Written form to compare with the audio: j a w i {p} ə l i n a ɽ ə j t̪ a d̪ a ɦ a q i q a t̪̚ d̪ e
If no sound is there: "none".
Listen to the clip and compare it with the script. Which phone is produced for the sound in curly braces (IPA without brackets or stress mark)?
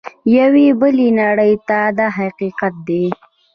b